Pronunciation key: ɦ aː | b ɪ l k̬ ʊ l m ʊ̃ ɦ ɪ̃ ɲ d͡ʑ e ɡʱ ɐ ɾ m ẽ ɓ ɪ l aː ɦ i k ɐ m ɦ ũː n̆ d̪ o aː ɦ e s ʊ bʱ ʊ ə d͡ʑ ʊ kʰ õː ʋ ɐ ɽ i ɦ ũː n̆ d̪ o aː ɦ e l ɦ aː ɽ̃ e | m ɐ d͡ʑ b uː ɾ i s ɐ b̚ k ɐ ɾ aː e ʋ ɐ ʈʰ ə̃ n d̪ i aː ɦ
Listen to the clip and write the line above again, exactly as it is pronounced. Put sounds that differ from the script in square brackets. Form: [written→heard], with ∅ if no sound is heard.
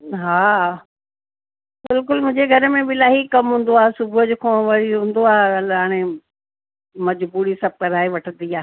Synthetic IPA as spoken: ɦ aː | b ɪ l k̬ ʊ l m ʊ̃ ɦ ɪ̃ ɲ d͡ʑ e ɡʱ ɐ ɾ m ẽ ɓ ɪ l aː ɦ i k ɐ m ɦ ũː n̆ d̪ o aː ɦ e s ʊ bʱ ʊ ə d͡ʑ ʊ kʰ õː ʋ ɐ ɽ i ɦ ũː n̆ d̪ o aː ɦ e l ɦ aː ɽ̃ e | m ɐ d͡ʑ b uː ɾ i s ɐ b̚ k ɐ ɾ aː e ʋ ɐ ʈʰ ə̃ n d̪ i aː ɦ